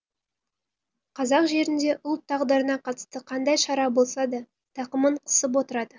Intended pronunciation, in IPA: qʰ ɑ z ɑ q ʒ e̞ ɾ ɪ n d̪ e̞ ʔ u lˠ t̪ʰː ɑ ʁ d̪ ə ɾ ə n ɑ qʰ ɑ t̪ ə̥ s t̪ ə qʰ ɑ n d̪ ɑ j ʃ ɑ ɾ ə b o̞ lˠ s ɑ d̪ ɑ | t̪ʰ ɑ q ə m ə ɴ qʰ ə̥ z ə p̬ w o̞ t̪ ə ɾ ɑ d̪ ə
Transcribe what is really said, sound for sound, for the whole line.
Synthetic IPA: qʰ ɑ z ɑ q ʒ e̞ ɾ ɪ n d̪ e̞ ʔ ʊ lˠ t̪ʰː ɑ ʁ d̪ ə ɾ ə n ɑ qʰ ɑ t̪ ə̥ s t̪ ə qʰ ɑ n d̪ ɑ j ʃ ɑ ɾ ɑ b o̞ lˠ s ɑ d̪ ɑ | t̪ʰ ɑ q ə m ə ɴ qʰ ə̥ s ə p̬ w o̞ t̪ ə ɾ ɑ d̪ ə